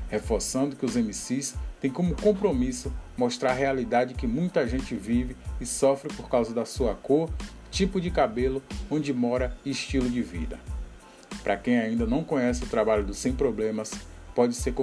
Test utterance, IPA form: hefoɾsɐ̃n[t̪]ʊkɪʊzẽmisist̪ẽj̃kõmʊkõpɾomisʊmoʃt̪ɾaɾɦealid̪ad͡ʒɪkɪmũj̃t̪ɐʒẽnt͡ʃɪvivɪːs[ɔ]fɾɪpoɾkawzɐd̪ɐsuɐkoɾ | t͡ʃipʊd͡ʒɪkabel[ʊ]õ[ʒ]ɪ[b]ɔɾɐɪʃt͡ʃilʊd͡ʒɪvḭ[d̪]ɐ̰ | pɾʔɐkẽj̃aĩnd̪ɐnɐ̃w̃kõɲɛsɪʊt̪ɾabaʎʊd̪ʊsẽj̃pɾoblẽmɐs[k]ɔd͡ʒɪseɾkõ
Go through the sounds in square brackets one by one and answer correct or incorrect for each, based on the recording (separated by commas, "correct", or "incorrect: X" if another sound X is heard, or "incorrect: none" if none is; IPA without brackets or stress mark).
incorrect: d̪, correct, correct, incorrect: d͡ʒ, incorrect: m, correct, incorrect: p